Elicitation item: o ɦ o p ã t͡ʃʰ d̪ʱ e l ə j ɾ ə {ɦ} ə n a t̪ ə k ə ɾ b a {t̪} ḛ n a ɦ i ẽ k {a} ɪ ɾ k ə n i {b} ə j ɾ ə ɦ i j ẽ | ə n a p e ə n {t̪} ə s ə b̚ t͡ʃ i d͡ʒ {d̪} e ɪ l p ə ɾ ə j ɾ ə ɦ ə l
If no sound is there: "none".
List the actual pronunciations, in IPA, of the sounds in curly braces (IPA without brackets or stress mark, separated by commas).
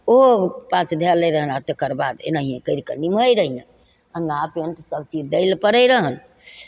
ɦ, d̪, ə, m, t̪, d̪